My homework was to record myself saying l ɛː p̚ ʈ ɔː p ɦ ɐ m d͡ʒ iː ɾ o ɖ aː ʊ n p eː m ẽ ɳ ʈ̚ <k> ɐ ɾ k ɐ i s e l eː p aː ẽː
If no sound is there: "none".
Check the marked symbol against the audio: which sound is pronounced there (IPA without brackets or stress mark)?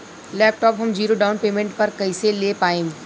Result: p